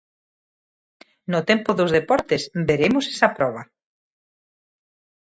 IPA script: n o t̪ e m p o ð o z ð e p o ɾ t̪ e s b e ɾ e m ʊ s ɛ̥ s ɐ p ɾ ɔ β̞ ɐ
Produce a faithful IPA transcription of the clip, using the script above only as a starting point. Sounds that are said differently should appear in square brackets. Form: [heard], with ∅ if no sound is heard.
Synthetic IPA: n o t̪ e m p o ð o z ð e p [ɔ] ɾ t̪ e s b e ɾ e m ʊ s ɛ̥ s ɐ p ɾ ɔ β̞ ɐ